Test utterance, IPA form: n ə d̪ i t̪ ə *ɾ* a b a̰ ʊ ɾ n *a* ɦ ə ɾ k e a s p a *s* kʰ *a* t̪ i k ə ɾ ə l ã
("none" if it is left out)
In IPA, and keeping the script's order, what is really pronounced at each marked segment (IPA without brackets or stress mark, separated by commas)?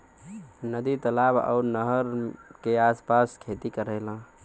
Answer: l, ə, s, e